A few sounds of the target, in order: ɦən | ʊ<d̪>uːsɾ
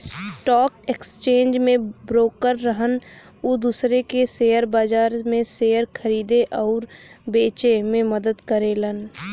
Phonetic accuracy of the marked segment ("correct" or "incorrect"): correct